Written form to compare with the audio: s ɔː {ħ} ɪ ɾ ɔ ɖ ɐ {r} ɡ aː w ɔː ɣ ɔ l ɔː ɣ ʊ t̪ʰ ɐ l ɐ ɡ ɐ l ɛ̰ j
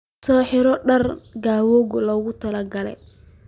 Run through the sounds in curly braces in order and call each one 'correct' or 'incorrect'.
correct, correct

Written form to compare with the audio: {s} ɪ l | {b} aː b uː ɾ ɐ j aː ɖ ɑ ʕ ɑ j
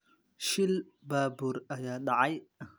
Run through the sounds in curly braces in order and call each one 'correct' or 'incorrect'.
incorrect: ʃ, correct

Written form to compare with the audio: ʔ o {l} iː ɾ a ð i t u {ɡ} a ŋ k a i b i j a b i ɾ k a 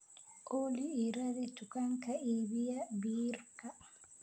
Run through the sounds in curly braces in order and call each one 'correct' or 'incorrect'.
correct, incorrect: k

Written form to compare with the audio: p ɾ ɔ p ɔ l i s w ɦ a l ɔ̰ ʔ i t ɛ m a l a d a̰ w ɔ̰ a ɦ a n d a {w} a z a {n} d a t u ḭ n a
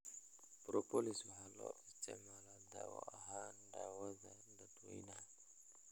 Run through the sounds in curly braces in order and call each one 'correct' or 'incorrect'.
correct, correct

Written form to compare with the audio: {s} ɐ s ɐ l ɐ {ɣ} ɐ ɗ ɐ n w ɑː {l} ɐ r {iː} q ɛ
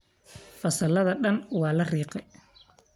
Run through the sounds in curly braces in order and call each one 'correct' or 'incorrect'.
incorrect: f, incorrect: ð, correct, correct

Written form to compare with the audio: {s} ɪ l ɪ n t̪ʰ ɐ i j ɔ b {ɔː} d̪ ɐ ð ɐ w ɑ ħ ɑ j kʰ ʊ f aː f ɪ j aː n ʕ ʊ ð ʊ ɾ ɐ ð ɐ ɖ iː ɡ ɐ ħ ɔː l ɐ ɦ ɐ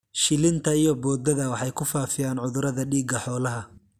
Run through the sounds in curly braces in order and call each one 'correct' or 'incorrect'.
incorrect: ʃ, correct

